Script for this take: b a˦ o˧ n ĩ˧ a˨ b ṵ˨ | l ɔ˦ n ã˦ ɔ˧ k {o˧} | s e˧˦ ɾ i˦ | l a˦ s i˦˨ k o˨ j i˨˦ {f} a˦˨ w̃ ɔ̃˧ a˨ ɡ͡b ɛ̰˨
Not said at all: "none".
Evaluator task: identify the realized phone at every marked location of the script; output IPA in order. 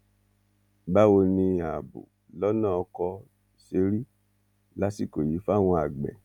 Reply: ɔ˧, f

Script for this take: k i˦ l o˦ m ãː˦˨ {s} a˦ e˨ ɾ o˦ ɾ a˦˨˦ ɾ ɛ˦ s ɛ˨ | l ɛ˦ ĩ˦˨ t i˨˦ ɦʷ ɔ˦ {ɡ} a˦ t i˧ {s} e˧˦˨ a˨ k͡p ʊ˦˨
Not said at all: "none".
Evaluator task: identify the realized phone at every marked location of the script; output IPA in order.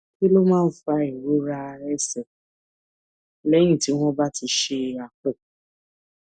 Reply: f, b, ʃ

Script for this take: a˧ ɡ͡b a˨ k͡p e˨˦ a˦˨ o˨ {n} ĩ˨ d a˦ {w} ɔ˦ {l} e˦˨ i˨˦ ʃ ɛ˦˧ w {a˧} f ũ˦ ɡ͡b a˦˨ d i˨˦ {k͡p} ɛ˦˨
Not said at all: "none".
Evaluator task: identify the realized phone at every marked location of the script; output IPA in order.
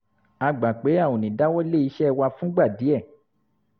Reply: n, w, l, a˧, none

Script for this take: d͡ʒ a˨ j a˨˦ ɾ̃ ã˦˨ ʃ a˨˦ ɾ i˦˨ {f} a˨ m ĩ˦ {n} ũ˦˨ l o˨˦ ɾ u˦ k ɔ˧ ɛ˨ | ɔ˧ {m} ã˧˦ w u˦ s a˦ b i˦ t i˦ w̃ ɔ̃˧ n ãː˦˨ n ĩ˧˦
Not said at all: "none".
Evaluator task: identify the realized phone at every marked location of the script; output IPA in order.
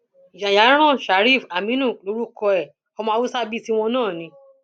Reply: f, n, m

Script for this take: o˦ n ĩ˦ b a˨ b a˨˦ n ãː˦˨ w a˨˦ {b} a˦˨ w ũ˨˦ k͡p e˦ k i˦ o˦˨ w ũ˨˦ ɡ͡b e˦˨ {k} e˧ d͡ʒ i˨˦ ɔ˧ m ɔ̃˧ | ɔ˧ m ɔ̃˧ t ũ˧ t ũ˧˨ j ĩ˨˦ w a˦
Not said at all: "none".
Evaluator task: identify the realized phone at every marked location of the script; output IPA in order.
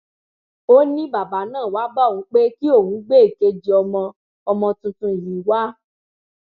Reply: b, k

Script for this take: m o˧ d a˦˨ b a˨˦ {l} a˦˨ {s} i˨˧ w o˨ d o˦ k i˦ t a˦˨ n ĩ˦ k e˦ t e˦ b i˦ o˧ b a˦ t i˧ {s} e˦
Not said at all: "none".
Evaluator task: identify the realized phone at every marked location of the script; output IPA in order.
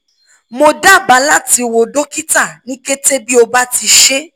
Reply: l, t, ʃ

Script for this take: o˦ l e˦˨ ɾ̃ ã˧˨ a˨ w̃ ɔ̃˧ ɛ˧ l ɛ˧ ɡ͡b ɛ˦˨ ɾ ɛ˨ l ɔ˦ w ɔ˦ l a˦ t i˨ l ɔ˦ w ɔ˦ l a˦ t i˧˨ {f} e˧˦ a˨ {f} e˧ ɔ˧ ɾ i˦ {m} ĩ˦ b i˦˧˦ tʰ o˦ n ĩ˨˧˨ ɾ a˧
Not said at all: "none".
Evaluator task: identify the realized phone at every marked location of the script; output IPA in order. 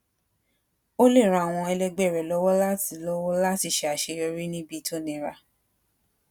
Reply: ʃ, ʃ, n

